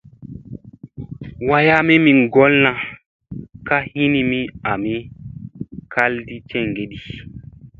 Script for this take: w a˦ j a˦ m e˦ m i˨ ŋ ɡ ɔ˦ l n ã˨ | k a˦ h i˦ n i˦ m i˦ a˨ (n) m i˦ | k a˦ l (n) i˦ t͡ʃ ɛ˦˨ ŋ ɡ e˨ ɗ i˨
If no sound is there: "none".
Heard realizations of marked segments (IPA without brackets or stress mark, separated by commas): none, d